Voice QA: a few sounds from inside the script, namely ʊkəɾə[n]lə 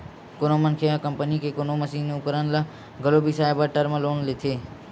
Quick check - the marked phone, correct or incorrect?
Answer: correct